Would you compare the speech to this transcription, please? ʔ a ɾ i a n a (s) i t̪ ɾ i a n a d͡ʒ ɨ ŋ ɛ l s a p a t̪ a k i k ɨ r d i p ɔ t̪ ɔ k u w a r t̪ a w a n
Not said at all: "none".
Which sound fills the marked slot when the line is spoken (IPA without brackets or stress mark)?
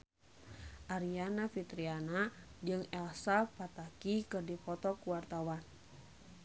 f